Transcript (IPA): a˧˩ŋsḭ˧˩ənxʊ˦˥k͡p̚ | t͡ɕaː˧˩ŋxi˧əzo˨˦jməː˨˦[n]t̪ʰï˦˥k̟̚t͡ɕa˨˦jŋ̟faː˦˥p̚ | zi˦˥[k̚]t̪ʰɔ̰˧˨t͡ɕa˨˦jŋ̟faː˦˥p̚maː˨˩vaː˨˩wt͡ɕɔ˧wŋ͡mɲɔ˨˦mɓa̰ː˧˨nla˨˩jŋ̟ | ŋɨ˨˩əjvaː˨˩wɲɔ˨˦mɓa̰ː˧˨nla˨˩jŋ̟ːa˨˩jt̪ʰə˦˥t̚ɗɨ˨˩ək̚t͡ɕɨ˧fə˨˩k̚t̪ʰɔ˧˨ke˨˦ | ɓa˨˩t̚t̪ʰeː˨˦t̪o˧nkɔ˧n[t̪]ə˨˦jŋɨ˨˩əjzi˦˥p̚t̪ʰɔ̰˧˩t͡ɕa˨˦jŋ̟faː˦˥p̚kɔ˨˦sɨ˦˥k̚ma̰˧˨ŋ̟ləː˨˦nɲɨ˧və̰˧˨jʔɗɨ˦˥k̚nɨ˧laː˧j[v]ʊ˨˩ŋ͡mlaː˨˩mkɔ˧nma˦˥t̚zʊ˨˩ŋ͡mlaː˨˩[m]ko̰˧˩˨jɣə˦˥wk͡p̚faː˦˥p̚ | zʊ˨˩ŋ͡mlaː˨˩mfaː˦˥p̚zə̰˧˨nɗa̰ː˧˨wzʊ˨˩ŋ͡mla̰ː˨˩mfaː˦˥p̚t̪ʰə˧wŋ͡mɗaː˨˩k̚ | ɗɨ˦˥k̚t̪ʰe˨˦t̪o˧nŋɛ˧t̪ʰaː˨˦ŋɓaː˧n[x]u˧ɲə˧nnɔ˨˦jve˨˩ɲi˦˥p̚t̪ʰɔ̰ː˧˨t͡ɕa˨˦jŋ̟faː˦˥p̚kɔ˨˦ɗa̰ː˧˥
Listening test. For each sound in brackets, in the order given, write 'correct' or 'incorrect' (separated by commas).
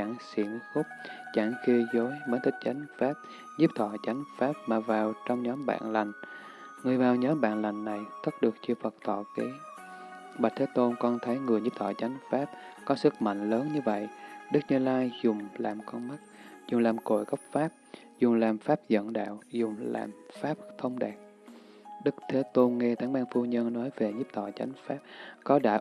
correct, incorrect, incorrect, incorrect, correct, incorrect